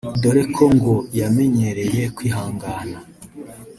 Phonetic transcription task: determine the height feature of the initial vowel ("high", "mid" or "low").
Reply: mid